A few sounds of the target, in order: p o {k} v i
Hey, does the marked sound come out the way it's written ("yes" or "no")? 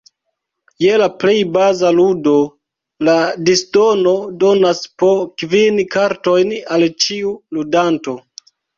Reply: yes